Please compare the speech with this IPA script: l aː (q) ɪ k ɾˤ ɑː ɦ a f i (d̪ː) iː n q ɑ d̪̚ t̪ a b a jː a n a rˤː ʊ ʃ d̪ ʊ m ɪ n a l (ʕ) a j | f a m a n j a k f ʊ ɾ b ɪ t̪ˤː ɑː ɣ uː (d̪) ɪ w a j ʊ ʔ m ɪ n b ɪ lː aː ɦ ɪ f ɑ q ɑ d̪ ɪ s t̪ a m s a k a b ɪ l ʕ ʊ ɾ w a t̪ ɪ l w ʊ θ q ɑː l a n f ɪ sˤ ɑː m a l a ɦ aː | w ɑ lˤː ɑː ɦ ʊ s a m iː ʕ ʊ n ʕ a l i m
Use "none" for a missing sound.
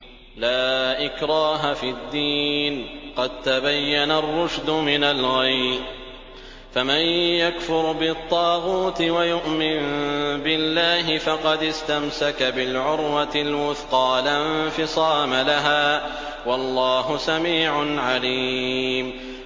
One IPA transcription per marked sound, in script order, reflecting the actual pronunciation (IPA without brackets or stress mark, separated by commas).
ʔ, d̪ː, ɣ, t̪